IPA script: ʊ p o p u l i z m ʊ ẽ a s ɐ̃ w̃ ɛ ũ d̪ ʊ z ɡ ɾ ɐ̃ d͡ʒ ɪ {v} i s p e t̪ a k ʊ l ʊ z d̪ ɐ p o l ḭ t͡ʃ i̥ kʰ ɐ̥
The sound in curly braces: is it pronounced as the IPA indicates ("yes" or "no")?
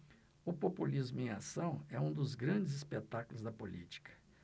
no